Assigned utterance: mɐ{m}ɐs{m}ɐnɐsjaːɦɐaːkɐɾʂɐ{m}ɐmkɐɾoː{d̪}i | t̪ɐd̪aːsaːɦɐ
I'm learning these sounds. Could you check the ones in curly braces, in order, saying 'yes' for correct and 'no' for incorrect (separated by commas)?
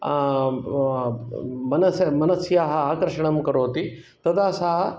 no, yes, no, no